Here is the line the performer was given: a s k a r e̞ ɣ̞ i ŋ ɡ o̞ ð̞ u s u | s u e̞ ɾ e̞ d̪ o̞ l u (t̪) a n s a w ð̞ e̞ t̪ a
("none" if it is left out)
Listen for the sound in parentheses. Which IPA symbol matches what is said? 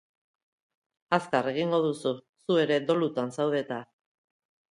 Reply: t̪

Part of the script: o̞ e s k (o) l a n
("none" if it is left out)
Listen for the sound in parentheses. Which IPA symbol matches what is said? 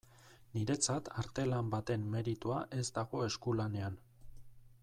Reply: u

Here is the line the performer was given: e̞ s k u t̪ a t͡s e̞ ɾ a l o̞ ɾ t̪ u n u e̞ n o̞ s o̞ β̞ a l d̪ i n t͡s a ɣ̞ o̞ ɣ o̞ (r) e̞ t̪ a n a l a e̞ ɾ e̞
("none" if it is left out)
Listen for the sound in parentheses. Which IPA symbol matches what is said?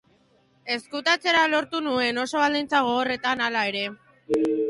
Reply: r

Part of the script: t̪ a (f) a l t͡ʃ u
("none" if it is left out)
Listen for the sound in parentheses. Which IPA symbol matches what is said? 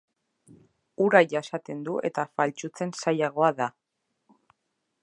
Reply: f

